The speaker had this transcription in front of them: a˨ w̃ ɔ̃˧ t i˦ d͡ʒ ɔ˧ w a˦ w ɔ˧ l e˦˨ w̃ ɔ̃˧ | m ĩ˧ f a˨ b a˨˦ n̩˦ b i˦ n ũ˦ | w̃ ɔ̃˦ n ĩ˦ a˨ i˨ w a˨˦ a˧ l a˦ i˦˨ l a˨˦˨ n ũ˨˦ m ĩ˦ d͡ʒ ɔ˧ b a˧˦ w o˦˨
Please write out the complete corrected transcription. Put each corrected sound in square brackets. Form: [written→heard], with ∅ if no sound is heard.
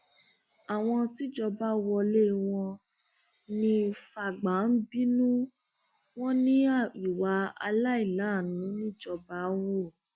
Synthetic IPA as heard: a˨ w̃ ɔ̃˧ t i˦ d͡ʒ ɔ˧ [w→b] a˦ w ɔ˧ l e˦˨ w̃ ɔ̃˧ | [m→n] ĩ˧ f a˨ [b→ɡ͡b] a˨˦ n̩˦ b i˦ n ũ˦ | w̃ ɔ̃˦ n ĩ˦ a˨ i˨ w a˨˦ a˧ l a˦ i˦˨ l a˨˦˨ n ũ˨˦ [m→n] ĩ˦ d͡ʒ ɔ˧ b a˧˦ w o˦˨